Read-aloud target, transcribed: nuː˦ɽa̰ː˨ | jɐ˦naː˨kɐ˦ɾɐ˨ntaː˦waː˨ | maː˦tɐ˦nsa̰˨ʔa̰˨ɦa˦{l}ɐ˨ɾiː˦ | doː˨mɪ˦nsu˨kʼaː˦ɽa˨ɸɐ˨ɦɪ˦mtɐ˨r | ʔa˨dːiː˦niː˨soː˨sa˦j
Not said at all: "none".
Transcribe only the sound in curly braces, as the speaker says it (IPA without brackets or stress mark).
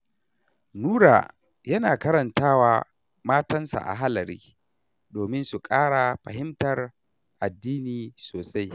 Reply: l